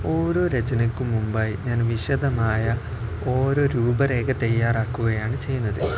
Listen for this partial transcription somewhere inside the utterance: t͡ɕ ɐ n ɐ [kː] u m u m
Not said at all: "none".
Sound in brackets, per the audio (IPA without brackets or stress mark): kː